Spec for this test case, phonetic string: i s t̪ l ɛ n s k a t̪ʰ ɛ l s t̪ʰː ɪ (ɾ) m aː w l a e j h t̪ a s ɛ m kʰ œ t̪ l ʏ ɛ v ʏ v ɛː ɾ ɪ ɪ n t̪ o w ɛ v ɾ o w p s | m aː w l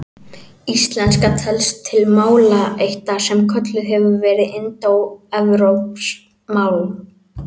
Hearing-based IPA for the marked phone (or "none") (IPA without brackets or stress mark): l